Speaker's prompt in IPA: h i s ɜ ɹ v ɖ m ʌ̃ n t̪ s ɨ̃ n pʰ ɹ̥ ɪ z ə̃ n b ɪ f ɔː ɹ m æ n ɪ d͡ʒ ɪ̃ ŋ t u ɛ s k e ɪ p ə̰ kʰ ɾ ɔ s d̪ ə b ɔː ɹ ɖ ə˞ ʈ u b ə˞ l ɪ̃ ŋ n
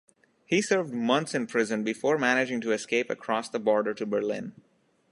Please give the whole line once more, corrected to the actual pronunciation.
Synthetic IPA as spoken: h i s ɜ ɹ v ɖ m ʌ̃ n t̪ s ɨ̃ n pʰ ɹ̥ ɪ z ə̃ n b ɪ f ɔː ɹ m æ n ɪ d͡ʒ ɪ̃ ŋ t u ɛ s k e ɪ p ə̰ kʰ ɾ ɔ s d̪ ə b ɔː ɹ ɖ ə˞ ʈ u b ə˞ l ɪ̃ n